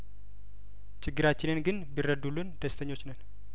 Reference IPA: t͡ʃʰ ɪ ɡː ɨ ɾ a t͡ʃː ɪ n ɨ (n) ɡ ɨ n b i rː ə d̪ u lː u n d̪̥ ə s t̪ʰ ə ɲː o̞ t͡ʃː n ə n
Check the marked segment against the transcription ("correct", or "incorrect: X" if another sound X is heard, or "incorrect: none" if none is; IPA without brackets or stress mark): correct